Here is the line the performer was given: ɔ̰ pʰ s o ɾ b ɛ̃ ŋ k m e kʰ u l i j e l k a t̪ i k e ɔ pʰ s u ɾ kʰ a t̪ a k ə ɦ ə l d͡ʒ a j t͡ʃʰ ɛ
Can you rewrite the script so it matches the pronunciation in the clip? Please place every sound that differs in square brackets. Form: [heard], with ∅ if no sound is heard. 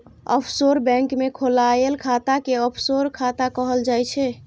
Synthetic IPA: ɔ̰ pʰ s o ɾ b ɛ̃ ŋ k m e kʰ [o] l [a] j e l [kʰ] a t̪ [a] k e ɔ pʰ s [o] ɾ kʰ a t̪ a k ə ɦ ə l d͡ʒ a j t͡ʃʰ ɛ